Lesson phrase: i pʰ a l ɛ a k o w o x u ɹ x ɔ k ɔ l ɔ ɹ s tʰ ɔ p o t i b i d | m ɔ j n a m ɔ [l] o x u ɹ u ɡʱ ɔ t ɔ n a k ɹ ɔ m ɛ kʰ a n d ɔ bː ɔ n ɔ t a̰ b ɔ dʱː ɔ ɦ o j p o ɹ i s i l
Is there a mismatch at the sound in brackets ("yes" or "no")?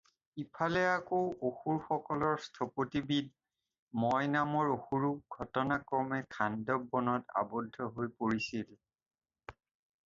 yes